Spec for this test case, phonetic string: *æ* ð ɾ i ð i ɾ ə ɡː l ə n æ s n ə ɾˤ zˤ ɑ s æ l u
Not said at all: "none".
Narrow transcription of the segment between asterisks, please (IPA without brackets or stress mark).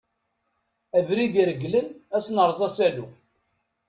æ